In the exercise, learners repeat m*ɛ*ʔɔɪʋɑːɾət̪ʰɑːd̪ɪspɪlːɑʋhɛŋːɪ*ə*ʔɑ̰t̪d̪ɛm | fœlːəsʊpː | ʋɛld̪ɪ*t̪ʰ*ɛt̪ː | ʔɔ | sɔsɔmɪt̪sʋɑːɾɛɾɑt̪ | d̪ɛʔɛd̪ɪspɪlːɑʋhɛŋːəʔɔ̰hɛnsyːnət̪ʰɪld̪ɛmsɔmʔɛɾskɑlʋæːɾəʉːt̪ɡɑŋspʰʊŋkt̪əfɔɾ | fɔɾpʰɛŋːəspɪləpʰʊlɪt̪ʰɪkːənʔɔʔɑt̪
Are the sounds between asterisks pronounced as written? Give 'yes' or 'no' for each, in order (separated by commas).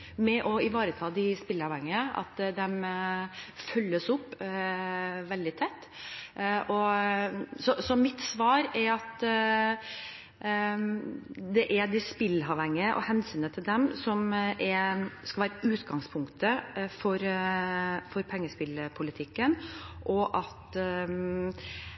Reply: yes, yes, yes